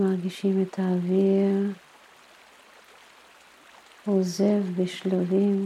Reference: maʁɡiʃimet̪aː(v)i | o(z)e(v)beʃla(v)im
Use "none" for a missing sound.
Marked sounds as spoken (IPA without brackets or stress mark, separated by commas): v, z, v, v